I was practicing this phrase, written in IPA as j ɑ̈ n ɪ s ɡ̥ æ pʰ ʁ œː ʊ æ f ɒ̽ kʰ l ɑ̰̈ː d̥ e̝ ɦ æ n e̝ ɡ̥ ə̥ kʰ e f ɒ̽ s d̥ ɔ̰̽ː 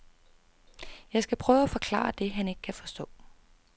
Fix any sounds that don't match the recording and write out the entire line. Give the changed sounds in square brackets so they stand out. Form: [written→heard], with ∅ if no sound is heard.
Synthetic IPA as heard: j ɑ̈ [n→∅] ɪ s ɡ̥ æ pʰ ʁ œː ʊ æ f ɒ̽ kʰ l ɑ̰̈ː d̥ e̝ ɦ æ n e̝ ɡ̥ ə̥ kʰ [e→æ] f ɒ̽ s d̥ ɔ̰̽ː

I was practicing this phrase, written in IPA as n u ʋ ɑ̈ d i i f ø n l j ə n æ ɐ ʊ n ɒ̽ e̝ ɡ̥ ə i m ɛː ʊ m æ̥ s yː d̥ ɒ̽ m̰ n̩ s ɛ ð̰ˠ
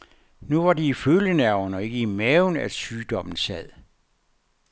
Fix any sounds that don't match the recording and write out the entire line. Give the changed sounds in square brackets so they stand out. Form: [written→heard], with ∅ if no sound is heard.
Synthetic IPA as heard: n u ʋ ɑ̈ d i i f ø [n→∅] l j ə n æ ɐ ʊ n ɒ̽ e̝ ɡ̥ ə i m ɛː ʊ [m→n] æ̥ s yː d̥ ɒ̽ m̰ n̩ s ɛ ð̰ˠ

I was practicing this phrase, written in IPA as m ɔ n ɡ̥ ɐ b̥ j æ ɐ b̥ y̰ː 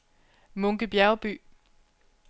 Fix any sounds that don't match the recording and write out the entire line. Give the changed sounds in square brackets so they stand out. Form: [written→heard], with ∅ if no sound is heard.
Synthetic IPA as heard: m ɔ [n→ŋ] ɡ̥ [ɐ→ə] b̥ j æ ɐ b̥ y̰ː

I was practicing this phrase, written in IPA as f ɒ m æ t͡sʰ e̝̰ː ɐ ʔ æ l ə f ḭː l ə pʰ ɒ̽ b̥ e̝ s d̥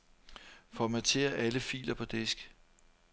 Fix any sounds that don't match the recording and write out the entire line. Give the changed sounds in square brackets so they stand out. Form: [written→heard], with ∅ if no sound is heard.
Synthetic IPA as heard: f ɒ m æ t͡sʰ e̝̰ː ɐ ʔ æ l ə f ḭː l [ə→ɐ] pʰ ɒ̽ [b̥→d̥] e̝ s [d̥→ɡ̥]

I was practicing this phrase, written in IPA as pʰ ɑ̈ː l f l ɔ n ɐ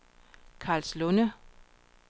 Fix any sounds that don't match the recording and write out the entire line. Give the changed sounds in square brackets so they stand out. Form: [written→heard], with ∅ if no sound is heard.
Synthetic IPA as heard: [pʰ→kʰ] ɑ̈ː l [f→s] l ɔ n [ɐ→ə]

